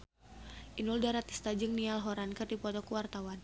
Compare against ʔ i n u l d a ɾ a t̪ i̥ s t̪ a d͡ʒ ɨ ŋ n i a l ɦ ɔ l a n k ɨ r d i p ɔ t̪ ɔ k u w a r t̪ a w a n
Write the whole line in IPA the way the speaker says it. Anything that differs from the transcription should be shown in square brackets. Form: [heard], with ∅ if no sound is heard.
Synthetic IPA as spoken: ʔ i n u l d a ɾ a t̪ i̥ s t̪ a d͡ʒ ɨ ŋ n i a l ɦ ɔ [ɾ] a n k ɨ r d i p ɔ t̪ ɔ k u w a r t̪ a w a n

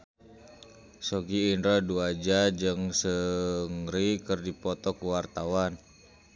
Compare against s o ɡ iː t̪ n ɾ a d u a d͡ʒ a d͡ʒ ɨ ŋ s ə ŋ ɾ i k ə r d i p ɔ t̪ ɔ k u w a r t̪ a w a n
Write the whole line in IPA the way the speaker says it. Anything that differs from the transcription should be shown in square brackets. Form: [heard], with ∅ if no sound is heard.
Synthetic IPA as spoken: s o ɡ iː [∅] n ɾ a d u a d͡ʒ a d͡ʒ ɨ ŋ s ə ŋ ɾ i k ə r d i p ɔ t̪ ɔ k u w a r t̪ a w a n

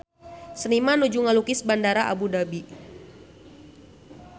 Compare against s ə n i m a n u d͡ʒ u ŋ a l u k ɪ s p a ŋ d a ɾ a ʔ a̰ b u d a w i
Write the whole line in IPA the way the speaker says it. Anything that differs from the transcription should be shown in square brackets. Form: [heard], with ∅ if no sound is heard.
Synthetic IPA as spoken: s ə n i m a n u d͡ʒ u ŋ a l u k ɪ s [b] a [n] d a ɾ a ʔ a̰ b u d a [b] i

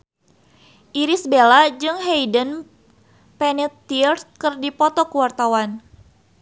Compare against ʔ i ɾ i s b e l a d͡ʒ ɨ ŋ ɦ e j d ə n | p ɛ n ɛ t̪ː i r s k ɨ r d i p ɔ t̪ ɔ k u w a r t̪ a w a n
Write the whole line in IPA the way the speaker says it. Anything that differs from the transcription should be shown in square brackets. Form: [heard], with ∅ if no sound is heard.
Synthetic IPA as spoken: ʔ i ɾ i s b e l a d͡ʒ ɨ ŋ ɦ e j d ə n | p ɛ n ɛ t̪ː i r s k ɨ r d i p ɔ t̪ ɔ k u w a r t̪ a w a n

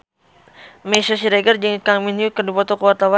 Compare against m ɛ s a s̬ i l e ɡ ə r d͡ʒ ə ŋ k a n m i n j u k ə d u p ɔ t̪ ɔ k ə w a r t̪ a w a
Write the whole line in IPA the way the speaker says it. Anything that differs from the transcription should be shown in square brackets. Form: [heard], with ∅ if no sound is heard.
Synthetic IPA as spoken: m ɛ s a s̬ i [ɾ] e ɡ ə r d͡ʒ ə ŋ k a [ŋ] m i n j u k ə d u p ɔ t̪ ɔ k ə w a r t̪ a w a

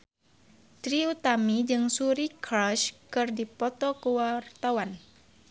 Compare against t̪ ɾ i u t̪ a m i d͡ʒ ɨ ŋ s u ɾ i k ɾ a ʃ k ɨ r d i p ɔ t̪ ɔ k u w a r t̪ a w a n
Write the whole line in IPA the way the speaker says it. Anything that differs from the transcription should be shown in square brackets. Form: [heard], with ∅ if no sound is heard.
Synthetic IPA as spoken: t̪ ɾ i u t̪ a m i d͡ʒ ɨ ŋ s u ɾ i k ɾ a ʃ k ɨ r d i p ɔ t̪ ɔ k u w a r t̪ a w a n

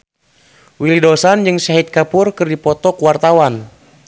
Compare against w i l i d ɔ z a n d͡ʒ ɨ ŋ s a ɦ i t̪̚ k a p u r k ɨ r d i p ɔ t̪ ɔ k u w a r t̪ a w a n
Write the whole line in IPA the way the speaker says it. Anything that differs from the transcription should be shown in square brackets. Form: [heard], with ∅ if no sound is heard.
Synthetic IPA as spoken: w i l i d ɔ [s] a n d͡ʒ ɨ ŋ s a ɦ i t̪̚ k a p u r k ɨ r d i p ɔ t̪ ɔ k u w a r t̪ a w a n

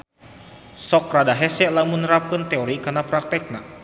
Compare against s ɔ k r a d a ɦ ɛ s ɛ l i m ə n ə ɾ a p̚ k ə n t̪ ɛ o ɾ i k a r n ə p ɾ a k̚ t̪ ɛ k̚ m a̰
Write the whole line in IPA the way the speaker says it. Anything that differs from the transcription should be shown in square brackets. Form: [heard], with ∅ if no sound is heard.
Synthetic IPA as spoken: s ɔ k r a d a ɦ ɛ s ɛ l [a] m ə n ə ɾ a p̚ k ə n t̪ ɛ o ɾ i k a r n [a] p ɾ a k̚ t̪ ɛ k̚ [n] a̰

